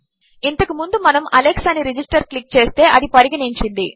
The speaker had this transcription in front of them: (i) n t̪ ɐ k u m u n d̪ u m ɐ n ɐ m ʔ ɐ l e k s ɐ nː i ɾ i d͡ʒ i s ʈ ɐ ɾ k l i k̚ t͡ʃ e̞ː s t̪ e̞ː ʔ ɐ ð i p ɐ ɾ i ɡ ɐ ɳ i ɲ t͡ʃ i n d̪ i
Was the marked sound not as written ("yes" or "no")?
no